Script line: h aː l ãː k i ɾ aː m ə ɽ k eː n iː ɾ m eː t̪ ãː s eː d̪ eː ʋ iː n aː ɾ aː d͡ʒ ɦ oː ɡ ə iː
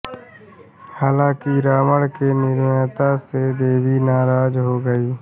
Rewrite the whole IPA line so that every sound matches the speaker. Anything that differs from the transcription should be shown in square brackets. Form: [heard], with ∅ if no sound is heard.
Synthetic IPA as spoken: h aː l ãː k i ɾ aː m ə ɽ k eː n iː ɾ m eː t̪ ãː s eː d̪ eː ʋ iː n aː ɾ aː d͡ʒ ɦ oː ɡ ə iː